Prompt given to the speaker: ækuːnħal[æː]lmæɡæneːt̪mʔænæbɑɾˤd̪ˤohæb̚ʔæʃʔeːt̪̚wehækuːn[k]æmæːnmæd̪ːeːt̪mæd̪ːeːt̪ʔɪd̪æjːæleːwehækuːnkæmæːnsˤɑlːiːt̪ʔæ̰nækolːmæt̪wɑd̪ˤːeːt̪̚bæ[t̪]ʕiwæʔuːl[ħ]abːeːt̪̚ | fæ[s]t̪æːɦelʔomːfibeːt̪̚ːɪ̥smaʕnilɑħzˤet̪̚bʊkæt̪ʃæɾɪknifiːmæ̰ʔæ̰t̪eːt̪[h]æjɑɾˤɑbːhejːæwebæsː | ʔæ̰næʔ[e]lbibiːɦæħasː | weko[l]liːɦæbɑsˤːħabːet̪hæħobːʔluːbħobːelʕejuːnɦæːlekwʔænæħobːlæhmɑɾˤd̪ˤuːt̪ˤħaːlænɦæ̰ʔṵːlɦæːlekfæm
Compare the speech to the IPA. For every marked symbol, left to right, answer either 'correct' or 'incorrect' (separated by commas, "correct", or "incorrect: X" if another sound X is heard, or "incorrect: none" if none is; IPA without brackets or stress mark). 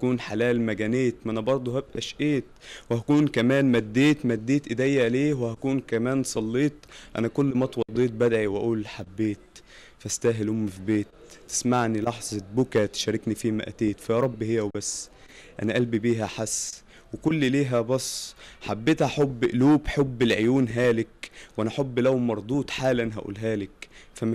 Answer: correct, correct, incorrect: d̪, correct, correct, incorrect: f, incorrect: æ, incorrect: lː